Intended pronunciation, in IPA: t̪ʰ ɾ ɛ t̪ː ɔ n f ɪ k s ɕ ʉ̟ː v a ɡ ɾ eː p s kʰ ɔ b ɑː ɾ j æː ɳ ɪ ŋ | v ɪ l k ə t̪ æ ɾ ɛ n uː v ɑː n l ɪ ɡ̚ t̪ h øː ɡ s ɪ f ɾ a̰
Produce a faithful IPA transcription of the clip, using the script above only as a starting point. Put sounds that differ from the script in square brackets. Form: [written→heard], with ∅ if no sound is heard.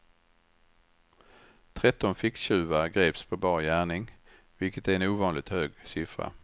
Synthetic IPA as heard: t̪ʰ ɾ ɛ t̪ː ɔ n f ɪ k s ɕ ʉ̟ː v a ɡ ɾ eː p s [kʰ→pʰ] ɔ b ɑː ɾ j æː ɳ ɪ ŋ | v ɪ l k ə t̪ æ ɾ ɛ n uː v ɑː n l ɪ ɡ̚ t̪ h øː ɡ s ɪ f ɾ a̰